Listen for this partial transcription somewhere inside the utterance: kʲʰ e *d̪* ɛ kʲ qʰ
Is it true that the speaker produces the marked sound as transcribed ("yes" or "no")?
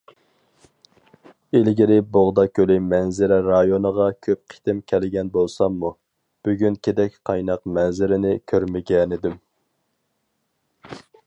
yes